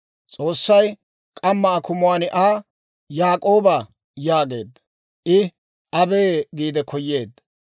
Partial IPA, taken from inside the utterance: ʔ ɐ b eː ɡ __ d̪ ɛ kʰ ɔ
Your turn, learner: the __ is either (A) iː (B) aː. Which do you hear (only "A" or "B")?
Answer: A